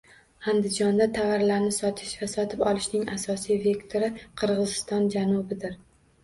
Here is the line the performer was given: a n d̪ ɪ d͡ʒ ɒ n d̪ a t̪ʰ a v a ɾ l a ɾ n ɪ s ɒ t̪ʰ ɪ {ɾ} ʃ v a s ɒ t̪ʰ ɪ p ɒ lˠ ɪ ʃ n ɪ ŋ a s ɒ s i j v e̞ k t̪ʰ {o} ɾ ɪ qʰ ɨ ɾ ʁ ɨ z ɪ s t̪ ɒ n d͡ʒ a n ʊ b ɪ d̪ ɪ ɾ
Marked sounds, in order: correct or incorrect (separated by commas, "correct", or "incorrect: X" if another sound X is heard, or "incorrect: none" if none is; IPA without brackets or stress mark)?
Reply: incorrect: none, correct